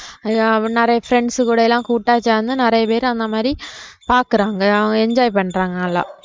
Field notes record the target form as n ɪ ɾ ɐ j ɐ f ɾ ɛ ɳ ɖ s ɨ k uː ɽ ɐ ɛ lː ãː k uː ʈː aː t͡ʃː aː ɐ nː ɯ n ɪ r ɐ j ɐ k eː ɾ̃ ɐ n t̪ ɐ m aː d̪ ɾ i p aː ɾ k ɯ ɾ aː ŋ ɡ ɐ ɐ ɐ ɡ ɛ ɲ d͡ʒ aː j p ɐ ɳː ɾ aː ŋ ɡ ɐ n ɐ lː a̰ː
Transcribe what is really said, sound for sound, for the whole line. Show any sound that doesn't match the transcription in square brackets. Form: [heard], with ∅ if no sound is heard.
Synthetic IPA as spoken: n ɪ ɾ ɐ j ɐ f ɾ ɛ ɳ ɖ s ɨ k uː ɽ ɐ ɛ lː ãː k uː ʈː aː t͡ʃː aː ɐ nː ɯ n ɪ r ɐ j ɐ [p] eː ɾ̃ ɐ n [d̪] ɐ m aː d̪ ɾ i p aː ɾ k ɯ ɾ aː ŋ ɡ ɐ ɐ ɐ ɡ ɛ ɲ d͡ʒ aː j p ɐ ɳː ɾ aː ŋ ɡ ɐ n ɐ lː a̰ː